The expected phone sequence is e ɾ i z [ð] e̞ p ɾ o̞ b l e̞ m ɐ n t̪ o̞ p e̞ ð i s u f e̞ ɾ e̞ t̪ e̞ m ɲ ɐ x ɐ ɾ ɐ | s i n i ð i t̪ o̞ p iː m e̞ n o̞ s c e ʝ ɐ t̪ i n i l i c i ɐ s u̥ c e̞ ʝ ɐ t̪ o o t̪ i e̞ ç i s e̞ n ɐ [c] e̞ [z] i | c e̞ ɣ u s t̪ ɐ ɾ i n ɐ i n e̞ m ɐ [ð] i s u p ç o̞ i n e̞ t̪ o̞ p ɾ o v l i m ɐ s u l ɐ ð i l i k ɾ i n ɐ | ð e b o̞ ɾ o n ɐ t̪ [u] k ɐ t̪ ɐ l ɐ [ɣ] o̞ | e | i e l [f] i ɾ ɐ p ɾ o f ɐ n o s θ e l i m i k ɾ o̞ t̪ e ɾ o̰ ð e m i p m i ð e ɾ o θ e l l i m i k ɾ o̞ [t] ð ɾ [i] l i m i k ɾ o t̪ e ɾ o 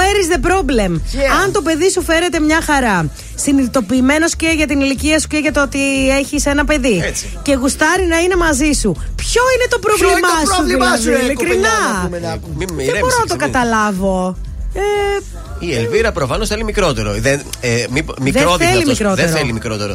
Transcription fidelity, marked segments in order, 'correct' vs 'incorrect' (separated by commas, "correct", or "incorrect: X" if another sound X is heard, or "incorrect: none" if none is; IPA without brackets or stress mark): correct, incorrect: p, incorrect: ð, incorrect: z, incorrect: o, incorrect: v, incorrect: v, correct, incorrect: e